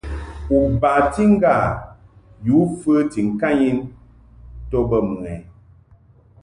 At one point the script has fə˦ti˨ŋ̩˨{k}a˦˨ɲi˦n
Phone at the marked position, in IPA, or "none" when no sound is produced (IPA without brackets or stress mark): k